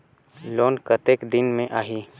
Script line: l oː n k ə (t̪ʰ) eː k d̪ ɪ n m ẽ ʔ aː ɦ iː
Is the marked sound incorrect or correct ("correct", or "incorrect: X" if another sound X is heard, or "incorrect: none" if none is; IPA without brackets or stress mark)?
incorrect: t̪